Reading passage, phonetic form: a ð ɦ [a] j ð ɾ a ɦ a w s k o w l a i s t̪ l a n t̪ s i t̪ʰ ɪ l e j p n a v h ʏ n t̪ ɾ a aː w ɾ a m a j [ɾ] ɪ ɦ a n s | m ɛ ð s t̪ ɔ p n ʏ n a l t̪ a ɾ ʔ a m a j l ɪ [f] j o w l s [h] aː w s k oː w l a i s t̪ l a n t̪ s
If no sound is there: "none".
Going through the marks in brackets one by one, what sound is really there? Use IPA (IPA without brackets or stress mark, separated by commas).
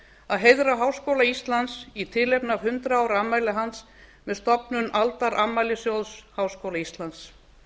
e, l, s, h